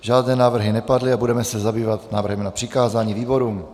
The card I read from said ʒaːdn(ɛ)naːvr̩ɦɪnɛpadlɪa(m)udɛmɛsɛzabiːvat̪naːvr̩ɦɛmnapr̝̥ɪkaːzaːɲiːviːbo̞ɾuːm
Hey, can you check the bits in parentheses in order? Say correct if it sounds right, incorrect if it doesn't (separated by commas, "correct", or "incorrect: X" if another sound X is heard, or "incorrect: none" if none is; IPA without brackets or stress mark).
incorrect: ɛː, incorrect: b